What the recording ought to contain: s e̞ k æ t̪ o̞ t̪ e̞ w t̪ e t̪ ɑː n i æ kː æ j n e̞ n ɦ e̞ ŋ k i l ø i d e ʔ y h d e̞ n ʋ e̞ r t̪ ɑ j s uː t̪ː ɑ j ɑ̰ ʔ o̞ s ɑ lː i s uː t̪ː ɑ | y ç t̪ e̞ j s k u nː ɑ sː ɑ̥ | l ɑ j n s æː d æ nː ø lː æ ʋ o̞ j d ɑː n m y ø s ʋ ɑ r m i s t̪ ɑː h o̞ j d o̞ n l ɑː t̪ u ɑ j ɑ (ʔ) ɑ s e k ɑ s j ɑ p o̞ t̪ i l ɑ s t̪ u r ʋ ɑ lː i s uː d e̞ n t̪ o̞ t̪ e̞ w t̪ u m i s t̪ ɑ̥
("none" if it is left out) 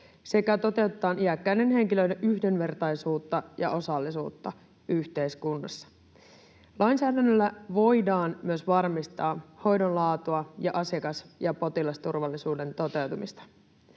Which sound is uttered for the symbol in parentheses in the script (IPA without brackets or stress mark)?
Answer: ʔ